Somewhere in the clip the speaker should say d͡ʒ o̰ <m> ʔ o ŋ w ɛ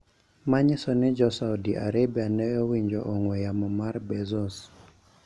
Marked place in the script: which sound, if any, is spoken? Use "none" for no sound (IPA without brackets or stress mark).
none